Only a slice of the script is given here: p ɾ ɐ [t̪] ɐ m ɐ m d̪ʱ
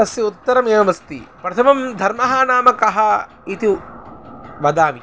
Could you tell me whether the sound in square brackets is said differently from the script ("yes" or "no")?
yes